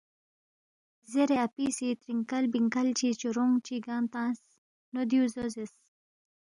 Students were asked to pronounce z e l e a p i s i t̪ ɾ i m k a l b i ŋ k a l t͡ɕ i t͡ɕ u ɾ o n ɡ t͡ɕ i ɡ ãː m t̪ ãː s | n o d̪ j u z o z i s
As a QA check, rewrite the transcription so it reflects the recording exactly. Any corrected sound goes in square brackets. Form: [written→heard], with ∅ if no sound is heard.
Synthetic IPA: z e [l→ɾ] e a p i s i t̪ ɾ i [m→ŋ] k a l b i ŋ k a l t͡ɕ i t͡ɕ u ɾ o [n→ŋ] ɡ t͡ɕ i ɡ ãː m t̪ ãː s | n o d̪ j u z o z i s